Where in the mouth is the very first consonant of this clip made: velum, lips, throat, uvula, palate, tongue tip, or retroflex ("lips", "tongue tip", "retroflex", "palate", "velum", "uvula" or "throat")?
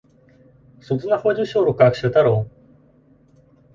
tongue tip